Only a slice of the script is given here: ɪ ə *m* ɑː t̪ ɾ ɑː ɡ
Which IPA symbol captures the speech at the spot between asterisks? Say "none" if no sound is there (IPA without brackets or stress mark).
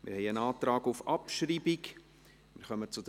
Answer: n